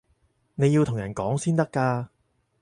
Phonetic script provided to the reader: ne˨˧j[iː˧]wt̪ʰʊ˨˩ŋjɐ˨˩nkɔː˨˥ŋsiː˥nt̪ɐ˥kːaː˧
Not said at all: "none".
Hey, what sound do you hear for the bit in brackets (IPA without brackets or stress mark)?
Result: i˧